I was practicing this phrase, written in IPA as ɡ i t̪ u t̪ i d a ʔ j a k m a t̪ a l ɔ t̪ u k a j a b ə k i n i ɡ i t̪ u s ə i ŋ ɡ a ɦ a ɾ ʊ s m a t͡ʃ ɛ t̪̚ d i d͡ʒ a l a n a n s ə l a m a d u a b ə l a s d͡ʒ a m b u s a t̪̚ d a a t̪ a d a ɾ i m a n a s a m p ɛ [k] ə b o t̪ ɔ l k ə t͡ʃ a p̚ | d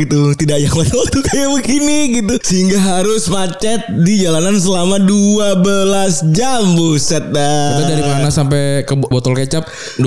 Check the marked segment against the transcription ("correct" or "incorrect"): correct